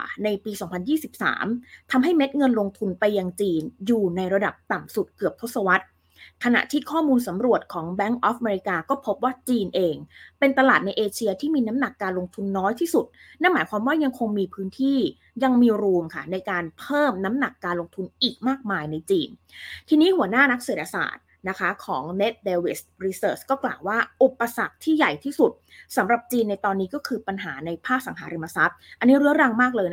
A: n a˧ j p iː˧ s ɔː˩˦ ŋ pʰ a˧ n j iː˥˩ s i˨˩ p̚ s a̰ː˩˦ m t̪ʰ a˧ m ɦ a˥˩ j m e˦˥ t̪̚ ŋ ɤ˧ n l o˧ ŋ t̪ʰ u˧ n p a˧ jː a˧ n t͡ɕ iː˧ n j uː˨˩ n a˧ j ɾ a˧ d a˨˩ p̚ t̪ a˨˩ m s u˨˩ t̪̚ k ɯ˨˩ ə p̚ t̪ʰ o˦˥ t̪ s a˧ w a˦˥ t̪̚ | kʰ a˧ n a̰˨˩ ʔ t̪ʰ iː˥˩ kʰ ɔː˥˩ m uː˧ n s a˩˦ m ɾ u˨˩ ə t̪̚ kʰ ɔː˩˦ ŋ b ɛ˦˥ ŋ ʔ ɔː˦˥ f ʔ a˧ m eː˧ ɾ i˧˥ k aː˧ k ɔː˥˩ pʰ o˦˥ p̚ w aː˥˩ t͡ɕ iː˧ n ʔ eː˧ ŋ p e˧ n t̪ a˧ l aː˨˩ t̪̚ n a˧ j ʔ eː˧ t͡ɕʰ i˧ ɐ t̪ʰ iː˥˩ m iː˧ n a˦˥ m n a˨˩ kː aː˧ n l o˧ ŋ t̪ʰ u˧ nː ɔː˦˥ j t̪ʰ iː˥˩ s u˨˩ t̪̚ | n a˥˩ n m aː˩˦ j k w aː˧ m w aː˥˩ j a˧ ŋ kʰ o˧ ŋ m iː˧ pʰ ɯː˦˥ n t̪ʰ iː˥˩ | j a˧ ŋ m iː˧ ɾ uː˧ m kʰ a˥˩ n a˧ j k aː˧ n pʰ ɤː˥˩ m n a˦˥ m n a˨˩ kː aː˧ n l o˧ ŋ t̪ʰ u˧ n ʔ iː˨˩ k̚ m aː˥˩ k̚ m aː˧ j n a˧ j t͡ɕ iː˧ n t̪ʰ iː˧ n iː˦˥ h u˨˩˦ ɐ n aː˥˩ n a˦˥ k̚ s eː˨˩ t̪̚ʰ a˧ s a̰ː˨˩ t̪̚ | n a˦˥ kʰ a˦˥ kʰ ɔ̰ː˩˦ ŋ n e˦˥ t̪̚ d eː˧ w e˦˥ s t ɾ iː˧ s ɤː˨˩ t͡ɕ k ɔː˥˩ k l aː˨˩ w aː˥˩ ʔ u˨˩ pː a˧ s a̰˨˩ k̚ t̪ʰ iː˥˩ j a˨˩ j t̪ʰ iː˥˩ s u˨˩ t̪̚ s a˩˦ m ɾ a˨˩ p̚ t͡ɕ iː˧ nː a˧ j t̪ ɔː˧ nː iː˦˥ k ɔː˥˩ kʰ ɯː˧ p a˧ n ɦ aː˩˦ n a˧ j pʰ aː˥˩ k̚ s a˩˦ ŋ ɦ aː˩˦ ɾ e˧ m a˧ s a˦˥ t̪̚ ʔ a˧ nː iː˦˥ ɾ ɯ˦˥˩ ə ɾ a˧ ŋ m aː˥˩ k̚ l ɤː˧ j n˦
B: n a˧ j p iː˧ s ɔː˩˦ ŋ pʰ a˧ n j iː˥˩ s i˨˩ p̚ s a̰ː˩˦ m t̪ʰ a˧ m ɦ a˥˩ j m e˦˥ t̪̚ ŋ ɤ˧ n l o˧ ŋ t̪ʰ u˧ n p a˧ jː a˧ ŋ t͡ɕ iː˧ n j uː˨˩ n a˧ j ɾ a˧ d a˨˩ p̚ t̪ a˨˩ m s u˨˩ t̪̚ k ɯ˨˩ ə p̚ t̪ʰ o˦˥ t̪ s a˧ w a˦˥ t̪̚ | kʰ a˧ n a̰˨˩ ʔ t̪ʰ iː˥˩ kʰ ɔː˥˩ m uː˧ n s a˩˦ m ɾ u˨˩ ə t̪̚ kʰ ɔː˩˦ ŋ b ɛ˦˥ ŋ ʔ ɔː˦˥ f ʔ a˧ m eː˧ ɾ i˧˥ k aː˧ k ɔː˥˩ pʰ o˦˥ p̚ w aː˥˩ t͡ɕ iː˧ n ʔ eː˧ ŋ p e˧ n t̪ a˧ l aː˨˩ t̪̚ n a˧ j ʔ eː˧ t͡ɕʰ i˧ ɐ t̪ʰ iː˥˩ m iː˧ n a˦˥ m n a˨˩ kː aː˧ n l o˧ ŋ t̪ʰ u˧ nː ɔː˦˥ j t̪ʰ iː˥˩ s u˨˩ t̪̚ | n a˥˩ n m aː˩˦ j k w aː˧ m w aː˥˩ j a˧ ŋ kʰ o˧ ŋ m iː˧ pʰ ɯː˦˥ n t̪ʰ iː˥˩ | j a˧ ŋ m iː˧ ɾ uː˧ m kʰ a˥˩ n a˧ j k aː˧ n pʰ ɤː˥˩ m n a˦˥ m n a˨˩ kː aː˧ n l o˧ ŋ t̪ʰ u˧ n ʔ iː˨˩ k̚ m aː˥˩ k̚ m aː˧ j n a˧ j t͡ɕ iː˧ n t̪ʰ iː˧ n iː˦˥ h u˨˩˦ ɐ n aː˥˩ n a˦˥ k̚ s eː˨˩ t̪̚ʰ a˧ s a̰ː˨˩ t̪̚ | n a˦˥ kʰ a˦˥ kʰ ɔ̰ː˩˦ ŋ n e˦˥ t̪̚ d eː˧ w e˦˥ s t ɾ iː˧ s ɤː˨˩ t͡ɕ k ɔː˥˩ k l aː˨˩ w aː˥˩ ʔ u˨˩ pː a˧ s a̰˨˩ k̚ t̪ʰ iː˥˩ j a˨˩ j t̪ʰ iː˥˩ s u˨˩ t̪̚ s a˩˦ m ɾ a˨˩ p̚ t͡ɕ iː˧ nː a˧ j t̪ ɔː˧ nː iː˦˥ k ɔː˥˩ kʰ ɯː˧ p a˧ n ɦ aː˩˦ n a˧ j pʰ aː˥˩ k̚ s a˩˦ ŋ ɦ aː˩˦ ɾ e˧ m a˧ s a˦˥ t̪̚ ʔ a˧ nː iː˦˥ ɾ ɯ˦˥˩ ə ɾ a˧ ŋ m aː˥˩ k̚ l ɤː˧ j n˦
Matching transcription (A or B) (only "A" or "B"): B